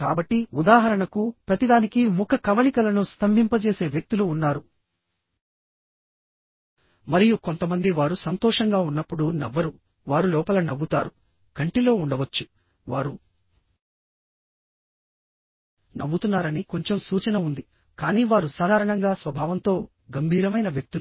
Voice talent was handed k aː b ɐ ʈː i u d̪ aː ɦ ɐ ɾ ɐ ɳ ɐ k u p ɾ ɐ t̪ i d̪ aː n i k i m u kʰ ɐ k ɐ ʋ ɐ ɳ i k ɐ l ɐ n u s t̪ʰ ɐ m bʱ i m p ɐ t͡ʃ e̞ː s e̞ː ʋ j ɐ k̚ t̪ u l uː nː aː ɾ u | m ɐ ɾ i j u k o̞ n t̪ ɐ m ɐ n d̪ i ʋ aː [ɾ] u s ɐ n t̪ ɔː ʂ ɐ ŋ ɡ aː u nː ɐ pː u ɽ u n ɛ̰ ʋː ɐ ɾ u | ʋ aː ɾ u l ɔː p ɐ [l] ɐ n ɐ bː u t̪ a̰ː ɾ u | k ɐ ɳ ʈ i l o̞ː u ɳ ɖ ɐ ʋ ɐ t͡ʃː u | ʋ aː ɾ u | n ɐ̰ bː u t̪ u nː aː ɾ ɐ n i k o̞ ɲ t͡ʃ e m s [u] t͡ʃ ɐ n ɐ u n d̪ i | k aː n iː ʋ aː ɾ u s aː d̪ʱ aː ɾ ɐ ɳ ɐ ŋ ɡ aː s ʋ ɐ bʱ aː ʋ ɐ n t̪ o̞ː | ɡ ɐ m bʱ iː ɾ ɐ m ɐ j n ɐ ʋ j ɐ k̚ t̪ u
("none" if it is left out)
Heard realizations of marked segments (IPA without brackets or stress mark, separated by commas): ɾ, l, uː